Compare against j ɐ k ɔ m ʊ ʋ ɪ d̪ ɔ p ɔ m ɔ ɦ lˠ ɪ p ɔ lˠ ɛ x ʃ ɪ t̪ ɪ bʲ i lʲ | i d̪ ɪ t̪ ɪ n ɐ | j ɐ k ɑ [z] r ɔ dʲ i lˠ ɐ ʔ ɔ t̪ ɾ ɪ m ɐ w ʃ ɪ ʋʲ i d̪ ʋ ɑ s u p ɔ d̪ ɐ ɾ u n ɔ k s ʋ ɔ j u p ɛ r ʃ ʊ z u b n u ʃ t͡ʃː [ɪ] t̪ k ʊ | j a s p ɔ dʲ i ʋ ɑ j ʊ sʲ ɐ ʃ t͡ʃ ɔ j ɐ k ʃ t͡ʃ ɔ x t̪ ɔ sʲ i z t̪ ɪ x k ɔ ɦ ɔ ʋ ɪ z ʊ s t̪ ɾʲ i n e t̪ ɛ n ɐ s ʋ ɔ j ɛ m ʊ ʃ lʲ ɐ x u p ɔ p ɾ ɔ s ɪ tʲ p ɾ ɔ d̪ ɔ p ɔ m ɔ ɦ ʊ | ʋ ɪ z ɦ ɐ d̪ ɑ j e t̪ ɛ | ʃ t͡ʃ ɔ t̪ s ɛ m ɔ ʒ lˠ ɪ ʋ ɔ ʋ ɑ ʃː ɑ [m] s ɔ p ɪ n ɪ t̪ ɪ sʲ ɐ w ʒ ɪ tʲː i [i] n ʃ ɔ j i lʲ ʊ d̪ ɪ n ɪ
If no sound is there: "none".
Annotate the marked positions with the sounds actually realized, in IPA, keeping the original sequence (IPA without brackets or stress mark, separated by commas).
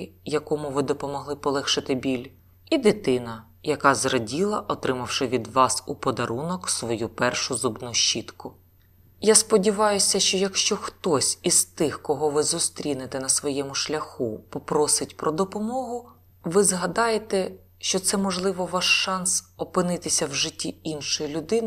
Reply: z, i, n, i